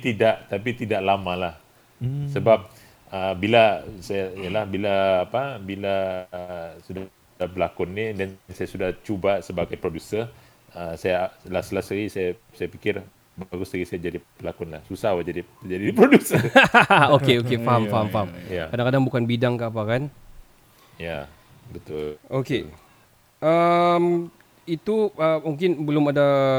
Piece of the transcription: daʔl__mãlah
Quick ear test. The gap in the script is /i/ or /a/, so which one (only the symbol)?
a